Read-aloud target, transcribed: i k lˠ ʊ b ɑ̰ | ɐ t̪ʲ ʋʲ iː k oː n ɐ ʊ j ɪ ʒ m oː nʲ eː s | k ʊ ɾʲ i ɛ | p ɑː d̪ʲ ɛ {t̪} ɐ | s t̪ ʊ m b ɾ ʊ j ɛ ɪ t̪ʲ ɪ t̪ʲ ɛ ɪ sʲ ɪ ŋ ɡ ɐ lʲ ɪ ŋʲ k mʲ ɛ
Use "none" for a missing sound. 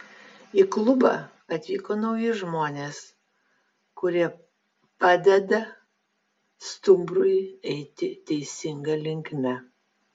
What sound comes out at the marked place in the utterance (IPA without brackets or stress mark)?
d̪